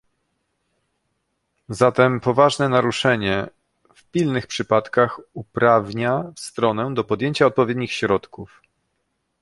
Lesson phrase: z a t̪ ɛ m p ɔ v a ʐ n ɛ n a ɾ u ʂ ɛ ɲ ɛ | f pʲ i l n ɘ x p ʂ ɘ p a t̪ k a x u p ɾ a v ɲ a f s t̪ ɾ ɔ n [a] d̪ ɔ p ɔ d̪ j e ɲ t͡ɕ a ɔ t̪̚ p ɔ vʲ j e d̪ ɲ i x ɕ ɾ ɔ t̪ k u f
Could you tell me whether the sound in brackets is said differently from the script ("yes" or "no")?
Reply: yes